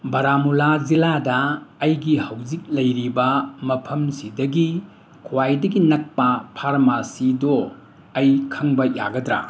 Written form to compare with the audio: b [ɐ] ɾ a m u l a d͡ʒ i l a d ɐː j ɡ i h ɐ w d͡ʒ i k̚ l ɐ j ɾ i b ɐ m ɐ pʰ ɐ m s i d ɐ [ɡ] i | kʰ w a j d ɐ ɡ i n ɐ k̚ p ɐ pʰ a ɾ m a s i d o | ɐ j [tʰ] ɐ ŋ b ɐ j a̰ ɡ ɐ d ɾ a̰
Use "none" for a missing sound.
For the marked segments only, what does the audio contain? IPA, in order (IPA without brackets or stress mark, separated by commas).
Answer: ɐ, ɡ, kʰ